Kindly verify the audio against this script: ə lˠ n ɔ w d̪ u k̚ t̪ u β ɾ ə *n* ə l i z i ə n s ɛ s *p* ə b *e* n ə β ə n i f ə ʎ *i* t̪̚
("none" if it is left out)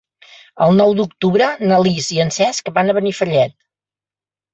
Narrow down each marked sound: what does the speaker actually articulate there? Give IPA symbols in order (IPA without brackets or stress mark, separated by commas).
n, k, a, ɛ